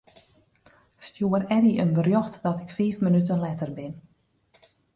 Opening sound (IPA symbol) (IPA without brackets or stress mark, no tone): s